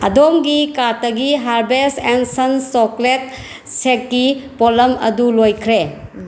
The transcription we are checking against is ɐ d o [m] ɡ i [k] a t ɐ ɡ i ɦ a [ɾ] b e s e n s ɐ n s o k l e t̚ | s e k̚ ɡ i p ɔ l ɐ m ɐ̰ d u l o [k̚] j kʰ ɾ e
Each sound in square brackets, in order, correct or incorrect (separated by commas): correct, correct, correct, incorrect